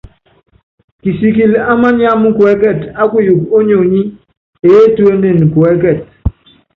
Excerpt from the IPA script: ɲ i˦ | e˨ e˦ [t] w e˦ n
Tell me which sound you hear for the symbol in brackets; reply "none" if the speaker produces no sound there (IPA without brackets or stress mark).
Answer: t